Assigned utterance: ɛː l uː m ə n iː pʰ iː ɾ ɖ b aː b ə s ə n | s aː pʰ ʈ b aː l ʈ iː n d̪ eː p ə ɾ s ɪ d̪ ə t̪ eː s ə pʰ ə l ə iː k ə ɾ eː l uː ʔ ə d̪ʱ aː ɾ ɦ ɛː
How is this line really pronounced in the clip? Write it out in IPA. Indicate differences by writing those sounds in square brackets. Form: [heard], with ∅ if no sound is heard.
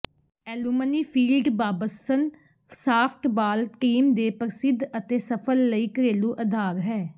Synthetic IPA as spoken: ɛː l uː m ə n iː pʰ iː [l] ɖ b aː b ə s ə n | s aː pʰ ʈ b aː l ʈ iː [m] d̪ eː p ə ɾ s ɪ d̪ ə t̪ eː s ə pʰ ə [lː] ə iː k ə ɾ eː l uː ʔ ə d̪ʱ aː ɾ ɦ ɛː